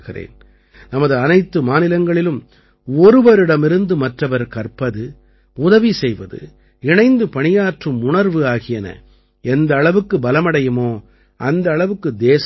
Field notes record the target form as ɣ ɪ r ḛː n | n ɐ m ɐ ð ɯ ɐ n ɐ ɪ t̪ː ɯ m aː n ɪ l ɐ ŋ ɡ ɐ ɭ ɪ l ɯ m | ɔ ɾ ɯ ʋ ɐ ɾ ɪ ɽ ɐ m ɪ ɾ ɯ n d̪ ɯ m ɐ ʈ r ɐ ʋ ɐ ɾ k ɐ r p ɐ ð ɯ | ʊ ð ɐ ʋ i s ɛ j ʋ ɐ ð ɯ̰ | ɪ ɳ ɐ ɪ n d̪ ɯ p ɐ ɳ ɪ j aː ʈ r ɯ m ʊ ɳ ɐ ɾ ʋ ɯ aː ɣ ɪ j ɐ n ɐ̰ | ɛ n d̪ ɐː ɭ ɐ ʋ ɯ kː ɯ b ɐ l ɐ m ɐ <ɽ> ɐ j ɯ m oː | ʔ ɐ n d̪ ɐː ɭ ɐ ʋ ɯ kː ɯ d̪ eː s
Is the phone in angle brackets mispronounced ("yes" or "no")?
no